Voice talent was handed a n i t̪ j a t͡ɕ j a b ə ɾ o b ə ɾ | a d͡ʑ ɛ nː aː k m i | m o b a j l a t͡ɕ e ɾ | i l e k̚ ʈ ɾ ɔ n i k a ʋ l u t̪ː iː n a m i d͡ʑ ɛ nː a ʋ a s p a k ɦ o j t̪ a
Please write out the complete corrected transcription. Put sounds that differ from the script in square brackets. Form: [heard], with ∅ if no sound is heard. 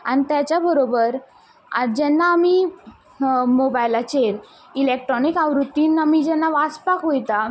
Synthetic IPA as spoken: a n i t̪ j a t͡ɕ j a b ə ɾ o b ə ɾ | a d͡ʑ ɛ nː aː [∅] m i | m o b a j l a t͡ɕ e ɾ | i l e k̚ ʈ ɾ ɔ n i k a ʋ [ɾ] u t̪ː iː n a m i d͡ʑ ɛ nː a ʋ a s p a k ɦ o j t̪ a